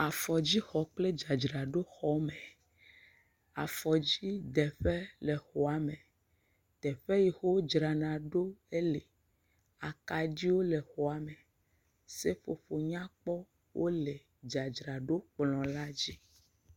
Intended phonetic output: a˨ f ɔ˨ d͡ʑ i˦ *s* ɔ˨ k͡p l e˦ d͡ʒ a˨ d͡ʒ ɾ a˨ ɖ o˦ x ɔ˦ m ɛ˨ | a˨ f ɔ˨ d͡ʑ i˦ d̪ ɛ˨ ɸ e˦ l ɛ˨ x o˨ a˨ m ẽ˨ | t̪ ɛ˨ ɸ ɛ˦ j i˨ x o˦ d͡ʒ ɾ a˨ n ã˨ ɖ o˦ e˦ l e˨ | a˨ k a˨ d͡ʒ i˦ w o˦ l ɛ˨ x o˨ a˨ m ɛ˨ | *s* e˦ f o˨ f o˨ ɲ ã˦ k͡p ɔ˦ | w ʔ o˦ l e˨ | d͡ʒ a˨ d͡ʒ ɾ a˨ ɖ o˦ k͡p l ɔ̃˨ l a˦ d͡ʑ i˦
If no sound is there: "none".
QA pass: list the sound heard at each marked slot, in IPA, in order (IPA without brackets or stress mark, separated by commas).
x, s